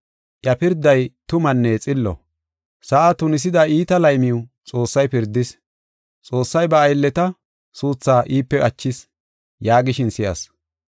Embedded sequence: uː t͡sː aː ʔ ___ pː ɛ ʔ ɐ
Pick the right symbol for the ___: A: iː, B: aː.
A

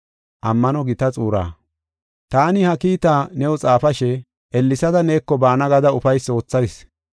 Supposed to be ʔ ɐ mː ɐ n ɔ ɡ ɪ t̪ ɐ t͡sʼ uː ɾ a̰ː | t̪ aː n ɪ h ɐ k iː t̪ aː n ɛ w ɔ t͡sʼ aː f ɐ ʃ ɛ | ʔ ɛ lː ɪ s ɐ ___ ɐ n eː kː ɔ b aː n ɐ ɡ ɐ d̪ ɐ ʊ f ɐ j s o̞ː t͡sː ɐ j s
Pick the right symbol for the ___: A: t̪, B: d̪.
B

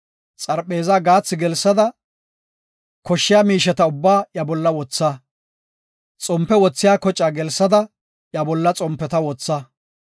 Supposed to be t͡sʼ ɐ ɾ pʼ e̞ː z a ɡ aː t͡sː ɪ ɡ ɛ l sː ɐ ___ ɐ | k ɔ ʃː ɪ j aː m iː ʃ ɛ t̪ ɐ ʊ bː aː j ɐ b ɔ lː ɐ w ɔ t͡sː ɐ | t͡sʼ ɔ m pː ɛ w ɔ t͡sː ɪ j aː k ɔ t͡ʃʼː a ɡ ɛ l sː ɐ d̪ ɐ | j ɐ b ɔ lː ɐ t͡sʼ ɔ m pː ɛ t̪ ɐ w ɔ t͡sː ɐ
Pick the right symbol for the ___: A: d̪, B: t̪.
A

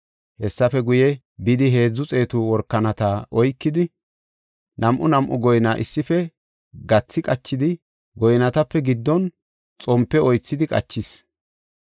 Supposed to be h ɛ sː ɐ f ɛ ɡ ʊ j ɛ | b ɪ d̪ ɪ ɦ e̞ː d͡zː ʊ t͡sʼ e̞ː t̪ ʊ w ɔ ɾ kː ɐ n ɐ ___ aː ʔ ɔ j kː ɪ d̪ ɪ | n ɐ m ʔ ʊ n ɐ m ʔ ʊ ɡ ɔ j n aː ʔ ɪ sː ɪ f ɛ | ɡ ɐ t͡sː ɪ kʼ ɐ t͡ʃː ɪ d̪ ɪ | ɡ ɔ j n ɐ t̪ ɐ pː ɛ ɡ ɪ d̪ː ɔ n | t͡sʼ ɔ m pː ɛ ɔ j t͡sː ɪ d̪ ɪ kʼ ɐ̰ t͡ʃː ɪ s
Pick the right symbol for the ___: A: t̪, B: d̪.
A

